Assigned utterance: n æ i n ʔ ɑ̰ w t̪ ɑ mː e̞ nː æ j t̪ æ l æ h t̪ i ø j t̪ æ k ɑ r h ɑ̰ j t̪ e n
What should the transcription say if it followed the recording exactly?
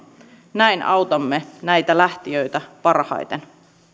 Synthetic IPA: n æ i n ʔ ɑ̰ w t̪ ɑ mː e̞ n æ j t̪ æ l æ h t̪ i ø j t̪ æ p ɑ r h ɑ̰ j t̪ e n